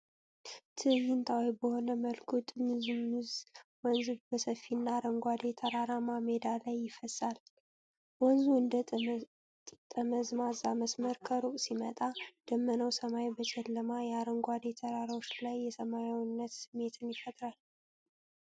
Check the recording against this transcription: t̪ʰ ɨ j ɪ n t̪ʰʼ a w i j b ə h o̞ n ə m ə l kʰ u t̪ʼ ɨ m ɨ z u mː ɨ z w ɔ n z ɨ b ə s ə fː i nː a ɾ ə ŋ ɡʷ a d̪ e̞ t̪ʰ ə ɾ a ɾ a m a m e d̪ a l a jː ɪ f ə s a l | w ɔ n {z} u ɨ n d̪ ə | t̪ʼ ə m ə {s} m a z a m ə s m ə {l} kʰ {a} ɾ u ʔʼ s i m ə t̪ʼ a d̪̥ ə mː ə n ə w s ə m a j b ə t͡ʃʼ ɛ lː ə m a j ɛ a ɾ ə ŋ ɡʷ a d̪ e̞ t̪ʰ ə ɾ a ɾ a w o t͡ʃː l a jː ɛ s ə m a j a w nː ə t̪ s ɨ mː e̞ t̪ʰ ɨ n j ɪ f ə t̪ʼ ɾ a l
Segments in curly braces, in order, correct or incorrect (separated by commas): correct, incorrect, incorrect, incorrect